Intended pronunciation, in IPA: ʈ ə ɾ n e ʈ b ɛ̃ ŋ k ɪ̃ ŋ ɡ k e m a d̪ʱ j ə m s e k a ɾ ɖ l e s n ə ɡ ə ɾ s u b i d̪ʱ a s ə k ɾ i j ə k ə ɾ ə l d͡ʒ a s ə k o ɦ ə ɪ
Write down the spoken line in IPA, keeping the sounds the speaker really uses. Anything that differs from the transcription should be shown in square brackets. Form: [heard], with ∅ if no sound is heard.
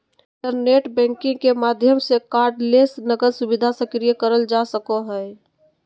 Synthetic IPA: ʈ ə ɾ n e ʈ b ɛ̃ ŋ k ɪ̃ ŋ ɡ k e m a d̪ʱ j ə m s e k a ɾ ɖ l e s n ə ɡ ə ɾ s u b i d̪ʱ a s ə k ɾ i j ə k ə ɾ ə l d͡ʒ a s ə k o ɦ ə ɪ